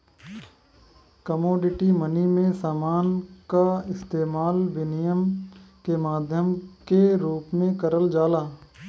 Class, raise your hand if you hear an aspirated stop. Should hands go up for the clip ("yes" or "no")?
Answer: no